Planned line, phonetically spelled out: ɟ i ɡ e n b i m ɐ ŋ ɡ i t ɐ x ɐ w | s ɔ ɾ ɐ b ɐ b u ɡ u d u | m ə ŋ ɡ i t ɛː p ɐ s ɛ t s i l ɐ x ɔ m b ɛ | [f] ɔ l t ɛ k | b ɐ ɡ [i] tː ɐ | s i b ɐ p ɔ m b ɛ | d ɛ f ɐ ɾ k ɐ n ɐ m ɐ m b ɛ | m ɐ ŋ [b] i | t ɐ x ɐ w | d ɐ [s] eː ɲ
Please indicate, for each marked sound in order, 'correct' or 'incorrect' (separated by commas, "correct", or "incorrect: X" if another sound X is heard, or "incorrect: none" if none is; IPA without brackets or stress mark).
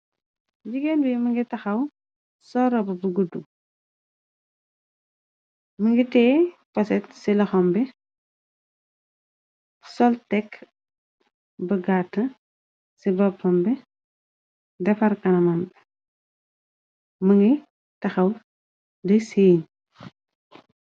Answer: incorrect: s, incorrect: a, incorrect: ɡ, correct